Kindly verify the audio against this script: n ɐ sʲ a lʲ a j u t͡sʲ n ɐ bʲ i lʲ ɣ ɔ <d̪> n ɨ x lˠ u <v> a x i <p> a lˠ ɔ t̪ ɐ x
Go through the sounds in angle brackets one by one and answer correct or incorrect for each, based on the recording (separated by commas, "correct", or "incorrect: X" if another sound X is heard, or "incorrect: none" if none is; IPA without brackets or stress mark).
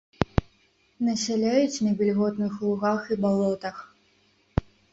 incorrect: t̪, incorrect: ɣ, incorrect: b